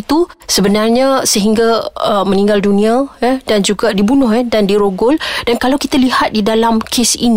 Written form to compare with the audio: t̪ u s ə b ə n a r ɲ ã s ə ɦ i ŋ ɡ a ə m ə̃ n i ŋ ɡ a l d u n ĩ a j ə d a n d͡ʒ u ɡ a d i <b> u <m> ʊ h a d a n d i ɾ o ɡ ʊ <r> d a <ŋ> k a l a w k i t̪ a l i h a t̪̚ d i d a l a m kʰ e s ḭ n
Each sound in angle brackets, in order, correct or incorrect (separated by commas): correct, incorrect, incorrect, incorrect